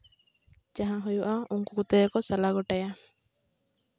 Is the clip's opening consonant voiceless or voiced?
voiced